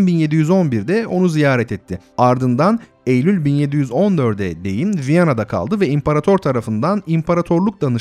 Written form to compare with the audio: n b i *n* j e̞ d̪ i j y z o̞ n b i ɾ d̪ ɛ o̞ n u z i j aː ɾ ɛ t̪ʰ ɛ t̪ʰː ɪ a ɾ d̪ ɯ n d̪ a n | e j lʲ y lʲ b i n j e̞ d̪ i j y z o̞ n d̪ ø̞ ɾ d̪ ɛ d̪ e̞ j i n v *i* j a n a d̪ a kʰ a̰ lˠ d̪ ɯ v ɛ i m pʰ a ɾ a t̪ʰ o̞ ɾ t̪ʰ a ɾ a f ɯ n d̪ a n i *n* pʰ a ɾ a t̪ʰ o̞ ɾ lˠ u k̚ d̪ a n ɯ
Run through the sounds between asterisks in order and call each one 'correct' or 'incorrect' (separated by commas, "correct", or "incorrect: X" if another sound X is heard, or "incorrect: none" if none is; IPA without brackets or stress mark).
correct, correct, incorrect: m